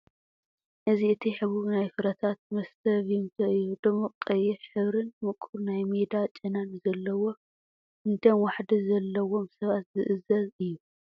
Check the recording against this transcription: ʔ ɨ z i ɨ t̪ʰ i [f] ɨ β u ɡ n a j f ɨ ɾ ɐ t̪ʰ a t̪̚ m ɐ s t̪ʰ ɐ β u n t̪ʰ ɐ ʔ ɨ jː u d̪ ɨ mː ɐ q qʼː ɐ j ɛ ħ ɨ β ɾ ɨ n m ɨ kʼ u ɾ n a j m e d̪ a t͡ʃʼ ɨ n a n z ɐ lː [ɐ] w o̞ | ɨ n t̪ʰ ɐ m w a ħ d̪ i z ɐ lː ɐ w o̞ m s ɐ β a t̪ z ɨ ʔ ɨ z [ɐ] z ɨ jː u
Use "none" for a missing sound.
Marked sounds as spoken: ħ, ɐ, ɐ

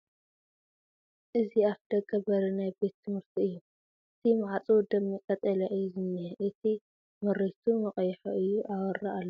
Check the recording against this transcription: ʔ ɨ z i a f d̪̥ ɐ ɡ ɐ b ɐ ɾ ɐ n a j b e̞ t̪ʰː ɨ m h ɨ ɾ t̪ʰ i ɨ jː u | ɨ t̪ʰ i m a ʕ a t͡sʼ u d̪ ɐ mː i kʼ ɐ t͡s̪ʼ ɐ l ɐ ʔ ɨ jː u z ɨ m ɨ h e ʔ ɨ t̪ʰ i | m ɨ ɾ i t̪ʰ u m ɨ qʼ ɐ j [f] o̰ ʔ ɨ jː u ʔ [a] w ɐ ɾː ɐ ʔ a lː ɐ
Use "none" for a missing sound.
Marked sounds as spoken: ħ, a

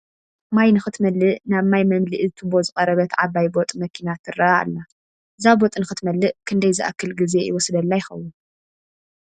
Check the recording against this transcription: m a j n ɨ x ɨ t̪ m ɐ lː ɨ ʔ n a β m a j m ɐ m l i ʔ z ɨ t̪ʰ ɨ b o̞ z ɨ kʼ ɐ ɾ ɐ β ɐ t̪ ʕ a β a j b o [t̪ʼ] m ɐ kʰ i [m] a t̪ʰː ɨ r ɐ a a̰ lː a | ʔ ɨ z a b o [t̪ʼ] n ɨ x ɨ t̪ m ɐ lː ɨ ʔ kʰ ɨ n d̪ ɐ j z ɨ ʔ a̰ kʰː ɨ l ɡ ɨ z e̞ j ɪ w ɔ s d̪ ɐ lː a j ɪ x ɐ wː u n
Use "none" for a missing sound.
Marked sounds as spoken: t̪ʼ, n, t̪ʼ

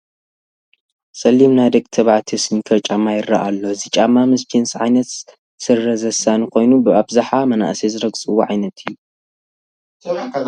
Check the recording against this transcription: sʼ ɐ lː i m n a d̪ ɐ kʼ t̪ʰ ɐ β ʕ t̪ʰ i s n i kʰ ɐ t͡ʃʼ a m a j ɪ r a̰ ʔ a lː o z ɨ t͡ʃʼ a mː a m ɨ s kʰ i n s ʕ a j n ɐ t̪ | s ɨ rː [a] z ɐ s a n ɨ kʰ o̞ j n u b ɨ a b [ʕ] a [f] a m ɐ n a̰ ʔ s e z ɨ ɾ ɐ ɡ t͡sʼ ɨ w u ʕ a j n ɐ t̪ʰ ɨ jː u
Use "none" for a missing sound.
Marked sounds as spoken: ɐ, z, ħ

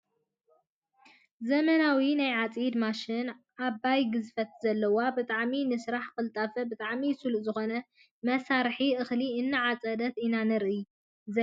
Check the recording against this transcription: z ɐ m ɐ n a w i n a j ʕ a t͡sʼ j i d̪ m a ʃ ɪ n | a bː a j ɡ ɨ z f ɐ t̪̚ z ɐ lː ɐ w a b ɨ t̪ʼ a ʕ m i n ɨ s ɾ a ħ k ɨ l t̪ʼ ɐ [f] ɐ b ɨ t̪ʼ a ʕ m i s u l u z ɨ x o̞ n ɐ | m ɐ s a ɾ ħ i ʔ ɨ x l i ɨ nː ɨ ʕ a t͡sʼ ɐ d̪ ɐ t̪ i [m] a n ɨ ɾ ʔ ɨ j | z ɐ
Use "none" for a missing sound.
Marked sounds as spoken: f, n

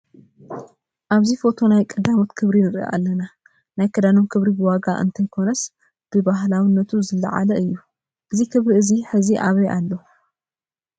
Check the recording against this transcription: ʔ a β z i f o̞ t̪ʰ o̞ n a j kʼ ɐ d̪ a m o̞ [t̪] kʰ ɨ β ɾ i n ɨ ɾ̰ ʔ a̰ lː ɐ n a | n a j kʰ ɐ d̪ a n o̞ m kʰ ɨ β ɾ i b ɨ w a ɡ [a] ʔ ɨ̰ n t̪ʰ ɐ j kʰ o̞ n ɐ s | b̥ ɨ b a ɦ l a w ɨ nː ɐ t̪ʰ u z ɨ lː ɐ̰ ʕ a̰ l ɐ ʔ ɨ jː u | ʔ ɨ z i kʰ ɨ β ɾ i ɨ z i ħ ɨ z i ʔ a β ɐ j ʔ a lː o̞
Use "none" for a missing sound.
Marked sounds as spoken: t̪, a

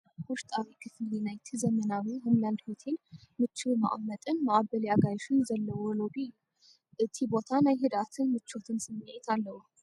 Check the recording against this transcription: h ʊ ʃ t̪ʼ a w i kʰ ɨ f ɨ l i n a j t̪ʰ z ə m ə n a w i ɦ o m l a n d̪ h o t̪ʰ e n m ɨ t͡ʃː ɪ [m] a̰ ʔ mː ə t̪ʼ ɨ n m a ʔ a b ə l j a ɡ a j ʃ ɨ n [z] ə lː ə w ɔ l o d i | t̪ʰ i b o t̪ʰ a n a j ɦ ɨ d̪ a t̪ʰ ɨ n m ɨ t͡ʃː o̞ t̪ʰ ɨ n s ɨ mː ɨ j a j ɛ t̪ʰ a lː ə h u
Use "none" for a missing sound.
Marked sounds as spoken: m, z

